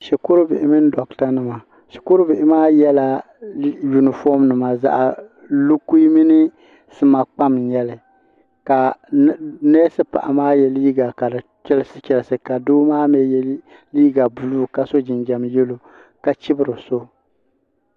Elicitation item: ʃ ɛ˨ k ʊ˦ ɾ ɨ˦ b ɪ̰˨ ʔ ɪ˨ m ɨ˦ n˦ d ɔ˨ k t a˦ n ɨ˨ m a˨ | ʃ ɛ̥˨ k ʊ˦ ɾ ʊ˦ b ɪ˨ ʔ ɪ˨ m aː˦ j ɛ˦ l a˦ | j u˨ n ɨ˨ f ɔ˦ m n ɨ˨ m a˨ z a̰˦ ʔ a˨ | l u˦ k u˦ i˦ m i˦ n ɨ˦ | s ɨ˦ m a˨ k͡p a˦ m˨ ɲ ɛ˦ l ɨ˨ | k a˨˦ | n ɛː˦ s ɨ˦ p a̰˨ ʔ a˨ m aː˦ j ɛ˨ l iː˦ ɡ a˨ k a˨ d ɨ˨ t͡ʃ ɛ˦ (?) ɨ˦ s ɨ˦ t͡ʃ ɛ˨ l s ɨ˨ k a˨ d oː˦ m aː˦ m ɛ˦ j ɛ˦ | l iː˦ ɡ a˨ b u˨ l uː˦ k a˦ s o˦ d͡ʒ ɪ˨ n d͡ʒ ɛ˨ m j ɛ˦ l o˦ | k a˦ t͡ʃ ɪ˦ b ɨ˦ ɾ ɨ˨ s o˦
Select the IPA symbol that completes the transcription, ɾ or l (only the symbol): l